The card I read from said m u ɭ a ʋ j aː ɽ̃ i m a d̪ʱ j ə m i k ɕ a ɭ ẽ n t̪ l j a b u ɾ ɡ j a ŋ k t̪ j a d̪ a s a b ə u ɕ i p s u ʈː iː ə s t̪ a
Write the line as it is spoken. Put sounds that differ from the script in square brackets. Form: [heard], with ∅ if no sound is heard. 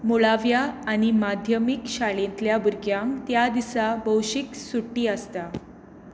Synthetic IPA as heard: m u ɭ a ʋ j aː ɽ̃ i m a d̪ʱ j ə m i k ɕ a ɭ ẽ n t̪ l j a b u ɾ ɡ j a ŋ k t̪ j a d̪ [i] s a b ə [w] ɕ i [k] s u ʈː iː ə s t̪ a